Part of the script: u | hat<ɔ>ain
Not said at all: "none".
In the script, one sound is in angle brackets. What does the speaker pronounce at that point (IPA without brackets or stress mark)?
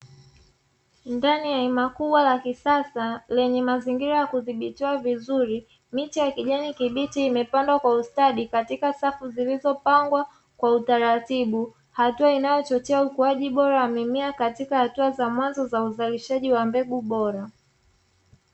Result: u